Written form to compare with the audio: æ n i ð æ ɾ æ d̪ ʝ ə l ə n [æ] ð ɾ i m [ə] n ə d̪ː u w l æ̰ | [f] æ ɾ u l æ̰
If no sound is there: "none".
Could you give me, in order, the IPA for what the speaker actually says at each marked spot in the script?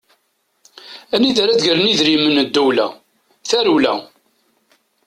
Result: i, ə, θ

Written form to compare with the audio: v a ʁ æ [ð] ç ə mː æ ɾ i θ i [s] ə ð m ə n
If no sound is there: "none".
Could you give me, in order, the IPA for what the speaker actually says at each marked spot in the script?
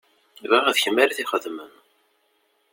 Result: ð, χ

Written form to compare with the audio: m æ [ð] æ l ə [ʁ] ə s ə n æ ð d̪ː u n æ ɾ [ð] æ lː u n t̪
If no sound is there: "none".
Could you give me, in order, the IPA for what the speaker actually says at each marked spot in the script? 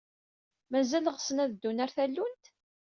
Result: z, ʁ, θ

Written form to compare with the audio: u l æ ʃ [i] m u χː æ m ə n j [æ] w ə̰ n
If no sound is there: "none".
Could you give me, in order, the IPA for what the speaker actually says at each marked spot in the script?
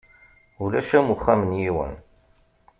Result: æ, i

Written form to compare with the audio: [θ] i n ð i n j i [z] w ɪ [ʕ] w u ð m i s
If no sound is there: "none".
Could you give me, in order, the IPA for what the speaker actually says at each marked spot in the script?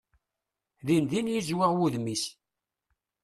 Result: ð, z, ʁ

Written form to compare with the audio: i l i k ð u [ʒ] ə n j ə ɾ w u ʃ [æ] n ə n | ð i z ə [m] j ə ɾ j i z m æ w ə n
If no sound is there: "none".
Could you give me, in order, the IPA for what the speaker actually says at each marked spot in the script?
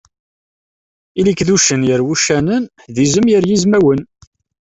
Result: ʃ, æ, m

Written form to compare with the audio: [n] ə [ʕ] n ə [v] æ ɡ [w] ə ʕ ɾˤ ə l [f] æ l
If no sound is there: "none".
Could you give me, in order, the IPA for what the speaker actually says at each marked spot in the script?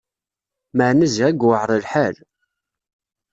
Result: m, ʕ, z, w, ħ

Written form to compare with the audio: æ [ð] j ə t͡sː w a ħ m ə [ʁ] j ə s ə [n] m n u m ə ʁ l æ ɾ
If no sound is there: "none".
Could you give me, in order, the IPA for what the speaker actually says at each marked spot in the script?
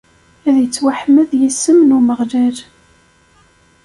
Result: ð, ð, none

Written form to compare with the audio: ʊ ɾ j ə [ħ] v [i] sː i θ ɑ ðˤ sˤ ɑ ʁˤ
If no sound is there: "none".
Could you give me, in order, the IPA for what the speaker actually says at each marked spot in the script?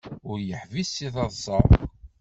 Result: ħ, i

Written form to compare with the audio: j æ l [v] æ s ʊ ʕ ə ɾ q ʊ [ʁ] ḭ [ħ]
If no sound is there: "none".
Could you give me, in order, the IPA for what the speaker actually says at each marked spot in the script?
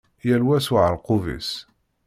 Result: w, v, s

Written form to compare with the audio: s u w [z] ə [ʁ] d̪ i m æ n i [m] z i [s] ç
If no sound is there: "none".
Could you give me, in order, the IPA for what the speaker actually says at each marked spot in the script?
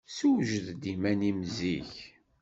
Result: ʒ, ð, m, none

